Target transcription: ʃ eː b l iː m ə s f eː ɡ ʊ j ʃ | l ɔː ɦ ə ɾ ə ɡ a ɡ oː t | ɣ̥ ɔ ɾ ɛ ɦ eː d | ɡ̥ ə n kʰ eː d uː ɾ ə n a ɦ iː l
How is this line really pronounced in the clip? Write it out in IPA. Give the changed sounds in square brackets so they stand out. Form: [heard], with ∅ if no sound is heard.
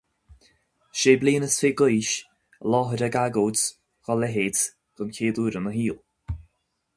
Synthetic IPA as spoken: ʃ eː b l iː [n] ə s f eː ɡ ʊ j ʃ | l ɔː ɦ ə ɾ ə ɡ a ɡ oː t | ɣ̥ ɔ [l] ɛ ɦ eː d | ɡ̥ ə n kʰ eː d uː ɾ ə n [ə] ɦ iː l